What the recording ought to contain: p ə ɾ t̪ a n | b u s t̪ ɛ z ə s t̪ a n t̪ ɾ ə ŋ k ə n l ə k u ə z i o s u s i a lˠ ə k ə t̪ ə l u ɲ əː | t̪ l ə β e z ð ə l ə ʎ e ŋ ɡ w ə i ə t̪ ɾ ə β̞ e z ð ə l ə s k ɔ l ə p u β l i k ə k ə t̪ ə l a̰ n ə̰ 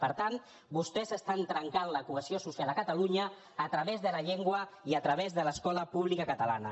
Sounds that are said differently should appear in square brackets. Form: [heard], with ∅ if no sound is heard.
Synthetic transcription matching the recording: p ə ɾ t̪ a n | b u s t̪ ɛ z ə s t̪ a n t̪ ɾ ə ŋ k [a] n l ə k u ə z i o s u s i a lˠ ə k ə t̪ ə l u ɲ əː | t̪ [ɾ] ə β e z ð ə l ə ʎ e ŋ ɡ w ə i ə t̪ ɾ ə β̞ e z ð ə l ə s k ɔ l ə p u β l i k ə k ə t̪ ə l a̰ n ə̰